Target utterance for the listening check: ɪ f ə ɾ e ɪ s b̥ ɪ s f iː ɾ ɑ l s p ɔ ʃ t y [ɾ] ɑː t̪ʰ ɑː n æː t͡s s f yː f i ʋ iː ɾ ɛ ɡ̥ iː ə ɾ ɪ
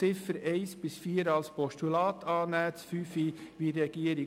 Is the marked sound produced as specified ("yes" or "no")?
no